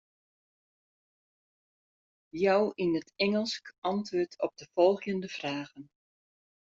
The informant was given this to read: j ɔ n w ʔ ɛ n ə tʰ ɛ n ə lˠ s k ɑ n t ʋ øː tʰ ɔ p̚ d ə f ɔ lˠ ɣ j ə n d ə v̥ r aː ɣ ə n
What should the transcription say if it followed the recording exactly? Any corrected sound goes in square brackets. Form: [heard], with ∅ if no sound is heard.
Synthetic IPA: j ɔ [∅] w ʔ [i] n ə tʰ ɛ [ŋ] ə lˠ s k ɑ n t ʋ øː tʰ ɔ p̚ d ə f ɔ lˠ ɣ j ə n d ə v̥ r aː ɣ ə n